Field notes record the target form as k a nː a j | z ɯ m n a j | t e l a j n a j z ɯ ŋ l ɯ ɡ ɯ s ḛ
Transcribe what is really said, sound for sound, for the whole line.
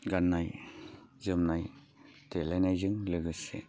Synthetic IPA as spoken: ɡ a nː a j | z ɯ m n a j | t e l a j n a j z ɯ ŋ l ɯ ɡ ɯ s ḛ